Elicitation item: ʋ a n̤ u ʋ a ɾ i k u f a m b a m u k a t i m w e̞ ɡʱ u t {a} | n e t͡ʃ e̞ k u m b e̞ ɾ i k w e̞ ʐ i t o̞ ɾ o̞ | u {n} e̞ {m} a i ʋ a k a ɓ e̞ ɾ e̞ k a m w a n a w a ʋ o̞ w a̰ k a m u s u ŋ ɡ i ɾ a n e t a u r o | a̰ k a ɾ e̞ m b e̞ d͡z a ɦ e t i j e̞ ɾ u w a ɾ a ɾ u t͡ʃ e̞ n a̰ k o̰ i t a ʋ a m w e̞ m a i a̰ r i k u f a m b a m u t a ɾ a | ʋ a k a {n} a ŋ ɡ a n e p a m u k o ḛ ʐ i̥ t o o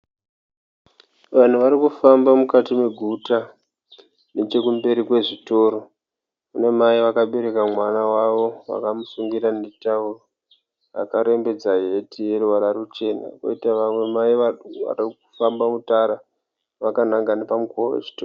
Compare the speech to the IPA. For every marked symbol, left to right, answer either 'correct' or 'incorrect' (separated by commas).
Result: correct, correct, correct, correct